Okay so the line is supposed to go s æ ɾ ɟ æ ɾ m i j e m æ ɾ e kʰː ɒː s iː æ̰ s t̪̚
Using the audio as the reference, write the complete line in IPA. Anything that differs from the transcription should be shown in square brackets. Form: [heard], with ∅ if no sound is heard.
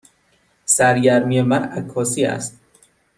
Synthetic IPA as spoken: s æ ɾ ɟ æ ɾ m i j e m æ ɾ [æ] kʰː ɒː s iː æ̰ s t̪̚